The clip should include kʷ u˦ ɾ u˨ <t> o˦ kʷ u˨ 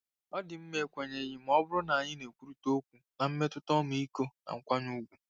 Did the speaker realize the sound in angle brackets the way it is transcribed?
yes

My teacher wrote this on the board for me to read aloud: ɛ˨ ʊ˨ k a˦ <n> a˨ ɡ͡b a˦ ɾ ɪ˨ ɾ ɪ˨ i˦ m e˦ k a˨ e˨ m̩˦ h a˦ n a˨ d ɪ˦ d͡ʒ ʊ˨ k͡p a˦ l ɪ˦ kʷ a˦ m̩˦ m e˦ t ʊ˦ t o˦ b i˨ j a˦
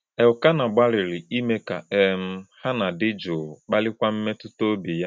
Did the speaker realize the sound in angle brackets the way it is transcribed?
yes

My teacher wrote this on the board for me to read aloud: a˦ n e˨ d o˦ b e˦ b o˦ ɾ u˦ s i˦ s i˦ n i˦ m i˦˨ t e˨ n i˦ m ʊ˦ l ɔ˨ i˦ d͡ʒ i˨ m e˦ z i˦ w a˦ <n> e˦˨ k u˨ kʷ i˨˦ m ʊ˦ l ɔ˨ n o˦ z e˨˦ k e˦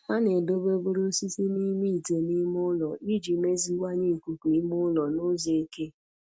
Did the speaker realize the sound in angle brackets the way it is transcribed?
no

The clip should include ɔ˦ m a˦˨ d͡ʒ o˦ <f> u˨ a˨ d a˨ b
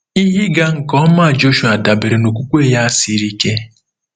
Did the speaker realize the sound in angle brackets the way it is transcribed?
no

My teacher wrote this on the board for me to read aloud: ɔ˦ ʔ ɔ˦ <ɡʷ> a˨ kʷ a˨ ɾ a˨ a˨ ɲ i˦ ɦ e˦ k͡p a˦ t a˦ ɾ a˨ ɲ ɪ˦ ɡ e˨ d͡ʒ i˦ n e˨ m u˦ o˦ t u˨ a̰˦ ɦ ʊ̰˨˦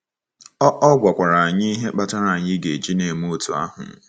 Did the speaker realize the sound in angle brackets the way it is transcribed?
yes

